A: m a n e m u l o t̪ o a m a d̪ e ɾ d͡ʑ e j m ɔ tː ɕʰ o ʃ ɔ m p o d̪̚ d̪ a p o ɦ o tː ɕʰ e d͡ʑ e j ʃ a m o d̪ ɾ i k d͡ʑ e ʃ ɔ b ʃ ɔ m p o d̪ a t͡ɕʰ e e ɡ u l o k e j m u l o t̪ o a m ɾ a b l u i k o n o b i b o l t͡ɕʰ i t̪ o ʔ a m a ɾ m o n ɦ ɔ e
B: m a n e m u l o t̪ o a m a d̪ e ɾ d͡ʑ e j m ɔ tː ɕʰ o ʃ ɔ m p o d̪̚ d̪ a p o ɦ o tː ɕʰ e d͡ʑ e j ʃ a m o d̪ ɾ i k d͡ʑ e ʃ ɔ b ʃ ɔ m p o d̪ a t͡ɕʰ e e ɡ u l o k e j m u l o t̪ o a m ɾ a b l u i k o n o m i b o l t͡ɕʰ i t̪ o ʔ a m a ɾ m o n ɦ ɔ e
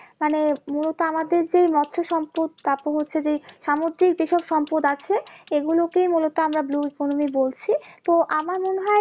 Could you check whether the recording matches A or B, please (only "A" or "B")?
B